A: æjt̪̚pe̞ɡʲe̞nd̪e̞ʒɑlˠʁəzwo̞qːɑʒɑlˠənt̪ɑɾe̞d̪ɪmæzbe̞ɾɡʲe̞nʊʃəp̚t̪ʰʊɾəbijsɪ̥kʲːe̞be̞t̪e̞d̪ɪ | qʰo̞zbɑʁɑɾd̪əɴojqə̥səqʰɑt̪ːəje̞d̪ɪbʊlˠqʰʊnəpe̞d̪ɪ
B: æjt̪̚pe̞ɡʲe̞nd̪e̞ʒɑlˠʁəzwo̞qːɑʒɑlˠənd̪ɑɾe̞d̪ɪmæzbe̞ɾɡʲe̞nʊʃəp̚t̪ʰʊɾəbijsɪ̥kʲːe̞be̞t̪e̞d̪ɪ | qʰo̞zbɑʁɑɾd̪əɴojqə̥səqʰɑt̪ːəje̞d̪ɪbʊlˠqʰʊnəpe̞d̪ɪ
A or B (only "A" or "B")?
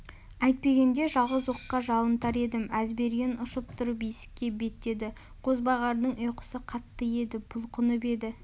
A